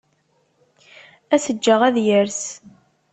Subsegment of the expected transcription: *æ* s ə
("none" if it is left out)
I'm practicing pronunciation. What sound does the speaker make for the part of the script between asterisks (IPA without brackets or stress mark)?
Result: æ